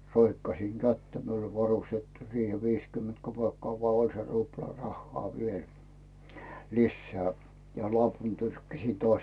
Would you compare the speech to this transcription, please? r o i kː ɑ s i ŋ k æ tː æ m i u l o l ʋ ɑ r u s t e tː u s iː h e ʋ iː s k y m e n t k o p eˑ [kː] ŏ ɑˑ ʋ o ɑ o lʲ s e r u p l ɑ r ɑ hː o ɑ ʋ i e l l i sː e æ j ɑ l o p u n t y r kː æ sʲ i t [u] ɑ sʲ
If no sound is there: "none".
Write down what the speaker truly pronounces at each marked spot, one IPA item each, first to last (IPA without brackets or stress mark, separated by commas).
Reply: kː, o